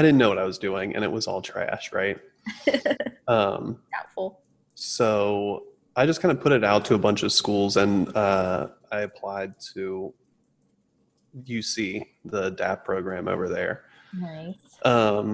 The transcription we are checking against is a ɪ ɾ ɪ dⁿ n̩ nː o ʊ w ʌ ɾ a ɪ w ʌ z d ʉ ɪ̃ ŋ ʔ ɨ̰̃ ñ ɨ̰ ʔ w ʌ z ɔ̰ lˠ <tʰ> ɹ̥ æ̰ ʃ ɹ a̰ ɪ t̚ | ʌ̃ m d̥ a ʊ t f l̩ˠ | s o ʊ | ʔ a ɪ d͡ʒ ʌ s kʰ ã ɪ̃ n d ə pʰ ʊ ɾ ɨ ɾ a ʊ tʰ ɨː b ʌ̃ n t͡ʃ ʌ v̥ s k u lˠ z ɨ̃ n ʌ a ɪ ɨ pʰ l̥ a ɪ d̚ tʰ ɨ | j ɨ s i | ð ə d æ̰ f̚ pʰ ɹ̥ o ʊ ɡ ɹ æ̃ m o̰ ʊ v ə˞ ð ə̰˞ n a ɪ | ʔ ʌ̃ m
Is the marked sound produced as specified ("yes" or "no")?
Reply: yes